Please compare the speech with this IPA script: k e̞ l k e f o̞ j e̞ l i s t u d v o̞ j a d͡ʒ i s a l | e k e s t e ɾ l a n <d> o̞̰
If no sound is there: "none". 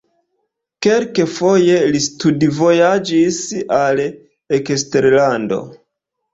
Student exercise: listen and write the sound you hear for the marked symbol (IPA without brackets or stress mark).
d